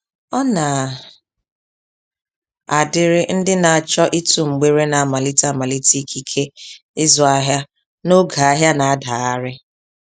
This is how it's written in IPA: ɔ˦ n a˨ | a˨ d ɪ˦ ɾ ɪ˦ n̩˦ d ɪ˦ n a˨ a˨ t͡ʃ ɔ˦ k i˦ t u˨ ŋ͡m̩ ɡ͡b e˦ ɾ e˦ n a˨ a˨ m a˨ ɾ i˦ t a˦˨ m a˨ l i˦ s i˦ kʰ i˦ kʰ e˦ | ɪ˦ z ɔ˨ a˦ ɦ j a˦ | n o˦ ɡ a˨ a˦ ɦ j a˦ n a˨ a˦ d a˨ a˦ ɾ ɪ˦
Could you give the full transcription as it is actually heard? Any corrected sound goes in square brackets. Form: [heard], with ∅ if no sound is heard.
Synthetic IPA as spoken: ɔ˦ n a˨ | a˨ d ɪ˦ ɾ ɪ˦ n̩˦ d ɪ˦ n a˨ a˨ t͡ʃ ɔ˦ [ʔ] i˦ t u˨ ŋ͡m̩ ɡ͡b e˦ ɾ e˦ n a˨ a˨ m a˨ [l] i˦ t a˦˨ m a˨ l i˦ [t] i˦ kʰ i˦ kʰ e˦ | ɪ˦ z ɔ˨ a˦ ɦ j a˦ | n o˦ ɡ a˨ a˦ ɦ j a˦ n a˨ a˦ d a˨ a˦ ɾ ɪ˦